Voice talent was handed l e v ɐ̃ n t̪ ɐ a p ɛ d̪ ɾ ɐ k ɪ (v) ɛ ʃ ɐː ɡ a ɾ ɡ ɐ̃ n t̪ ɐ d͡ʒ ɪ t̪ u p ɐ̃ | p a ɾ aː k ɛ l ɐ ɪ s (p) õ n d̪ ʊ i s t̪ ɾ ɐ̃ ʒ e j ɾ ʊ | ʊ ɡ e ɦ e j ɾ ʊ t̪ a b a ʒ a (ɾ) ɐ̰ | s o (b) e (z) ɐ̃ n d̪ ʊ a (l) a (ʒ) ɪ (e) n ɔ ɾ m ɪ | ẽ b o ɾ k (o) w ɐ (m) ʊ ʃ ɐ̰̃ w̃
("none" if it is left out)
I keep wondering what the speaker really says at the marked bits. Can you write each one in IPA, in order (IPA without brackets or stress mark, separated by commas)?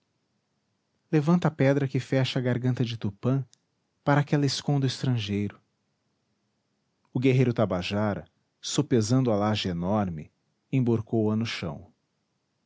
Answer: f, k, ɾ, p, z, l, ʒ, e, o, n